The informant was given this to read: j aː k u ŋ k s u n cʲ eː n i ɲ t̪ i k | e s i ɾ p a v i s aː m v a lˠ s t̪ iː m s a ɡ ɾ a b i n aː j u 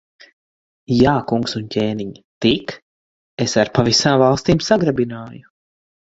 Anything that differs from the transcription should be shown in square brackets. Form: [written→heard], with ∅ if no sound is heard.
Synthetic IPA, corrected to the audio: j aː k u ŋ k s u n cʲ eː n i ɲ t̪ i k | e s [i→a] ɾ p a v i s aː m v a lˠ s t̪ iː m s a ɡ ɾ a b i n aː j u